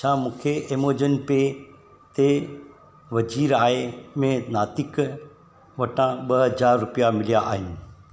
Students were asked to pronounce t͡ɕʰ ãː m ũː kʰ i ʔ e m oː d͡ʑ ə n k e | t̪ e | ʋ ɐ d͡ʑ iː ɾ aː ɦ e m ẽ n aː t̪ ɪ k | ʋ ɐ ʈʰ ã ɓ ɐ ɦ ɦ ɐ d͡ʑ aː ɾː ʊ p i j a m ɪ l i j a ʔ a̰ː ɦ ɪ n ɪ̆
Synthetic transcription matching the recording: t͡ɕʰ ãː m ũː kʰ e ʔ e m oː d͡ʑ ə n p e | t̪ e | ʋ ɐ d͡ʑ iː ɾ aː ɦ e m ẽ n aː t̪ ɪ k | ʋ ɐ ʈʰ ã ɓ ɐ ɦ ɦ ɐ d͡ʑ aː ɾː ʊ p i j a m ɪ l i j a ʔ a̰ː ɦ ɪ n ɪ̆